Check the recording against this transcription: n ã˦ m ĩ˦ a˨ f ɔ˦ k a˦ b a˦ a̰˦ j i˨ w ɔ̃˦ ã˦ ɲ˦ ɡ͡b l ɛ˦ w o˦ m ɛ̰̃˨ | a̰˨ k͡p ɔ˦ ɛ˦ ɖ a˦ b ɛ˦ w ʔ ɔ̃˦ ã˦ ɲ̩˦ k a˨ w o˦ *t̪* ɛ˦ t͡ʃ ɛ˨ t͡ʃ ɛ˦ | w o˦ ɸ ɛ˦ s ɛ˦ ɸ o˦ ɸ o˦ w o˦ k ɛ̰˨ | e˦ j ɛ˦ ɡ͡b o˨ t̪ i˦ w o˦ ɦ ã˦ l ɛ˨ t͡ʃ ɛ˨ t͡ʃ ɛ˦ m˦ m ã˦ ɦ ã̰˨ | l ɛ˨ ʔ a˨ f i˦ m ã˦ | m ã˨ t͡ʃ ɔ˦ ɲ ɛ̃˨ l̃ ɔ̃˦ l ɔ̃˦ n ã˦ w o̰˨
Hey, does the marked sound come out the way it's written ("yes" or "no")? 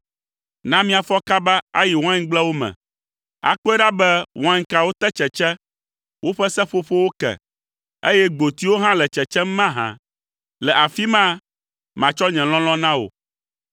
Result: yes